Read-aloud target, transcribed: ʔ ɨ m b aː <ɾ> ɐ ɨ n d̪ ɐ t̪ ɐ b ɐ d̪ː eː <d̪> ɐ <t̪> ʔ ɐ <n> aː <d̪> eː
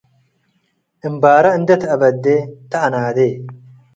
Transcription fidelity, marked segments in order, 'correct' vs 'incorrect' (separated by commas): correct, incorrect, incorrect, correct, correct